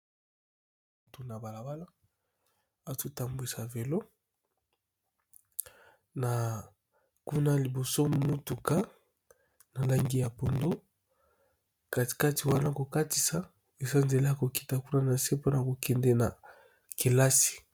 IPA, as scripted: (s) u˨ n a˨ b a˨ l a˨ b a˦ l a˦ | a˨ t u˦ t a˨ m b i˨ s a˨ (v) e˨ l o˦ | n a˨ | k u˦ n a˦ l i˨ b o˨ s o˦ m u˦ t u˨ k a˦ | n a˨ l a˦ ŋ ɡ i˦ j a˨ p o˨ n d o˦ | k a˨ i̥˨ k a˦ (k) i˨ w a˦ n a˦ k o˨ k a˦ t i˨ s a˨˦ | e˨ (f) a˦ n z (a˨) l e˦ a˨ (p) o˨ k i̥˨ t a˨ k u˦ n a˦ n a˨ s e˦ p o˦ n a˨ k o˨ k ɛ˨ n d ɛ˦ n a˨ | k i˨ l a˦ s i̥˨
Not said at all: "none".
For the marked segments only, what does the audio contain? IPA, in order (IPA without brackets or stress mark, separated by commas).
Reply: t, v, t, s, e˨, k